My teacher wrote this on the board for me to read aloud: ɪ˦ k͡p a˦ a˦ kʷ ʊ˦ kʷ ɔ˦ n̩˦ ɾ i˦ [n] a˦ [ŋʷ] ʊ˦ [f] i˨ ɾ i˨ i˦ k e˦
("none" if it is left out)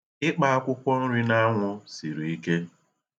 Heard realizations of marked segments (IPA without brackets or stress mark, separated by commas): n, ŋʷ, s